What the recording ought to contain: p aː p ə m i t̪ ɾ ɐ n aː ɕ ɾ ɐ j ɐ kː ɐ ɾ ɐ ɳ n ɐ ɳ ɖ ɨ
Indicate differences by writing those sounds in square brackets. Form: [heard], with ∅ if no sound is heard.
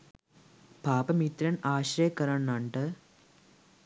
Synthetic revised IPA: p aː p [ɐ] m i t̪ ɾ ɐ n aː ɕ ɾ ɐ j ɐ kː ɐ ɾ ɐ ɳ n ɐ ɳ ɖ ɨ